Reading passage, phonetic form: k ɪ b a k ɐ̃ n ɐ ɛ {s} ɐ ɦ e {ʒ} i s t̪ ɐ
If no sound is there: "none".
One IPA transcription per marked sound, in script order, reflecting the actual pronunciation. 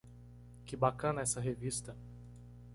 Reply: s, v

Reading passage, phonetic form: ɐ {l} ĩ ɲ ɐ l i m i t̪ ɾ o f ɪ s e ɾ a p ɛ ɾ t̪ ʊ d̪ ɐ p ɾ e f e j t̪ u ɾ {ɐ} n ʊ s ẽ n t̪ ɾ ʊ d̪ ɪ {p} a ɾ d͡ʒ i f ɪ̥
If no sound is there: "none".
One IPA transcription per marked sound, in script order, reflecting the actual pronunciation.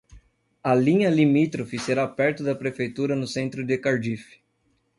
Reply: l, ɐ, k

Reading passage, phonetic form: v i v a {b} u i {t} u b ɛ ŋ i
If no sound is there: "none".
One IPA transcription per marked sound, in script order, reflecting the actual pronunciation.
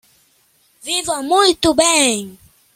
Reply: m, t

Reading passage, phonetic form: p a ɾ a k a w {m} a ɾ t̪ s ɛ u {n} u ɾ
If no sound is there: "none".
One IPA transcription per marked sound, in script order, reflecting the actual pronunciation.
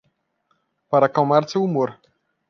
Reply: m, m

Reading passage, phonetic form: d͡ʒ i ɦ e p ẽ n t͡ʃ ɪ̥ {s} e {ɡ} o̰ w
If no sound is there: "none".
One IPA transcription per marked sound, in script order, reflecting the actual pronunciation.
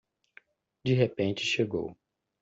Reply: ʃ, ɡ

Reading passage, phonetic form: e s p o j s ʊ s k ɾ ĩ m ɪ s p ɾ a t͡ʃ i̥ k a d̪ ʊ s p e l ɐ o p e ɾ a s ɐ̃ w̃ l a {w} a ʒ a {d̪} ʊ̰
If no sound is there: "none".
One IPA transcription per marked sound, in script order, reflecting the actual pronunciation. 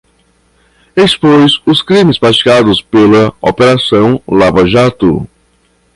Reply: v, t̪

